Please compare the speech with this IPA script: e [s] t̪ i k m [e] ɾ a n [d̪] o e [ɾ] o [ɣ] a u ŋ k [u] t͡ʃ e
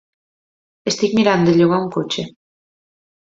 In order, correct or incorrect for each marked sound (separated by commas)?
correct, incorrect, correct, incorrect, correct, incorrect